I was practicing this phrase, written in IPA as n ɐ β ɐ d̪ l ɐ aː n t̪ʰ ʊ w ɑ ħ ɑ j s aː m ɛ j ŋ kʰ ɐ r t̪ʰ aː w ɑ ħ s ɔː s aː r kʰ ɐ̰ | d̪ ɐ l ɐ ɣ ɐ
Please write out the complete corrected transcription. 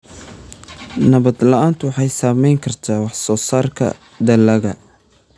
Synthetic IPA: n ɐ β ɐ d̪ l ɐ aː n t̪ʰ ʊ w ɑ ħ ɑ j s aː m ɛ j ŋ kʰ ɐ r t̪ʰ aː w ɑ ħ s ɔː s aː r kʰ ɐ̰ | d̪ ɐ l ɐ ɣ ɐ